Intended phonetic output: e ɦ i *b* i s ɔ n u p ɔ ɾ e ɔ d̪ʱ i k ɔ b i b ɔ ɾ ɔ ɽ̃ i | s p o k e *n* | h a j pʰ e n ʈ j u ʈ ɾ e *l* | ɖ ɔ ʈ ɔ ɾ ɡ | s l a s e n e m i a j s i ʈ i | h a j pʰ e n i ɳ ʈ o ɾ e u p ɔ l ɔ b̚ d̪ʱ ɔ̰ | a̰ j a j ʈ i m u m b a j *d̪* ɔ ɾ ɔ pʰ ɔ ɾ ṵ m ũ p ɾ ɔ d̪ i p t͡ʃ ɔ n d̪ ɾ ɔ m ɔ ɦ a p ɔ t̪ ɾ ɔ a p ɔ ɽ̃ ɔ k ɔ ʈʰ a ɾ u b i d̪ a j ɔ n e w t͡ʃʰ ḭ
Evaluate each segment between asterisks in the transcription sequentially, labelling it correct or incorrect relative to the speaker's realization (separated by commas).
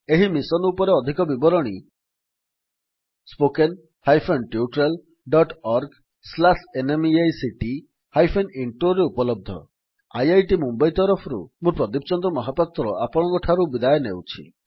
incorrect, correct, correct, incorrect